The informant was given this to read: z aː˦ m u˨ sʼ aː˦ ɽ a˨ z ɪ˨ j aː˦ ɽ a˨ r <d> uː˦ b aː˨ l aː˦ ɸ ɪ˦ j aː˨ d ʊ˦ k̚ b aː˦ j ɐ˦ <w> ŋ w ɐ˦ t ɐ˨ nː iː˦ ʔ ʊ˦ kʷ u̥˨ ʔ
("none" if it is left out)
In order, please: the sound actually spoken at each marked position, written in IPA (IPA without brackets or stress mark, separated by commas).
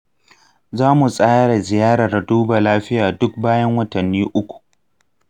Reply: d, none